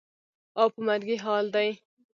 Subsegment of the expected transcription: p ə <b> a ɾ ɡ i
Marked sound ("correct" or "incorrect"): incorrect